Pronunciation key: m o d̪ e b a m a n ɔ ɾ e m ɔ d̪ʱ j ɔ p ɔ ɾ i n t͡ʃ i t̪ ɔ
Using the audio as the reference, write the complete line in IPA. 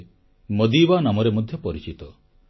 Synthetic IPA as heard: m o d̪ i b a n a m ɔ ɾ e m ɔ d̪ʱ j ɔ p ɔ ɾ i t͡ʃ i t̪ ɔ